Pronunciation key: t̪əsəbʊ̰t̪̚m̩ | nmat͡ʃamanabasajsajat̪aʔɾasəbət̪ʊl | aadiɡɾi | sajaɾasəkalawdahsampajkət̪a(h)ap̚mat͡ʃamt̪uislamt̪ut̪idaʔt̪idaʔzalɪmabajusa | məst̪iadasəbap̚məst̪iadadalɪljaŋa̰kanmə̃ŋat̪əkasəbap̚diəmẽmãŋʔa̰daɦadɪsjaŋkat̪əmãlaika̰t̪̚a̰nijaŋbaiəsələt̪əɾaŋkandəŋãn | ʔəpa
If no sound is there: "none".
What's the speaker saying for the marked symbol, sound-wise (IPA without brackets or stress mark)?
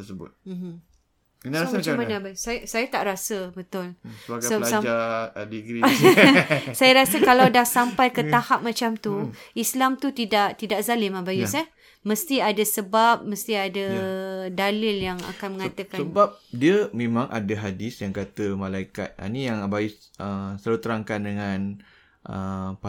h